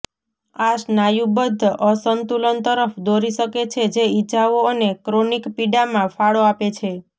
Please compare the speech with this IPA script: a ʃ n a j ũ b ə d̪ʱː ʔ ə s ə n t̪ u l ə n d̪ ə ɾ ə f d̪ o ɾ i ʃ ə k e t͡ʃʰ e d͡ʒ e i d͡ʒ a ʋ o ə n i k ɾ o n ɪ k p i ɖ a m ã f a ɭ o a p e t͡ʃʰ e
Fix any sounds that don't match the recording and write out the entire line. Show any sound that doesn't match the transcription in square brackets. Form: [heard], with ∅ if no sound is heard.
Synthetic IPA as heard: a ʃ n a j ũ b ə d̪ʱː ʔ ə s ə n t̪ u l ə n [t̪] ə ɾ ə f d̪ o ɾ i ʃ ə k e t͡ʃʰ e d͡ʒ e i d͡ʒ a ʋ o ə n [e] k ɾ o n [i] k p i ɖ a m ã f a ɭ o a p e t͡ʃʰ e